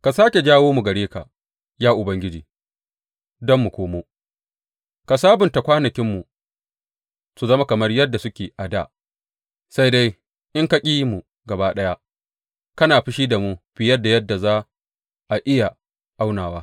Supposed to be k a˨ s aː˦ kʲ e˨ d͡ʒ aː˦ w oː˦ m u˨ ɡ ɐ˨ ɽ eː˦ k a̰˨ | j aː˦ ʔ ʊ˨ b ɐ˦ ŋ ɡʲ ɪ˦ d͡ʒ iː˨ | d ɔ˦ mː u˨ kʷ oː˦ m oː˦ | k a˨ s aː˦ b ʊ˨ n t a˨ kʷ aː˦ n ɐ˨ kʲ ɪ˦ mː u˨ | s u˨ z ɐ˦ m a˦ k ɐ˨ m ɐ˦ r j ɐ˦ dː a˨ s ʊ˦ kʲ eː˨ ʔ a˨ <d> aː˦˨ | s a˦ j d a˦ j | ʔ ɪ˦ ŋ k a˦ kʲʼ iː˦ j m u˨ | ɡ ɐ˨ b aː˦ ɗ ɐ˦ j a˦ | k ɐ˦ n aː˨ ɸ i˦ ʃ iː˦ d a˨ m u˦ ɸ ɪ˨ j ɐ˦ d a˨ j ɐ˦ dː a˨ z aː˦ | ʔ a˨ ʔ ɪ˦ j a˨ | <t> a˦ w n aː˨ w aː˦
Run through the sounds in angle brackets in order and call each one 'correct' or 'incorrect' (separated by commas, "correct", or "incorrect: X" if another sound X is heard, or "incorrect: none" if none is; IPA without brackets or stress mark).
correct, incorrect: ʔ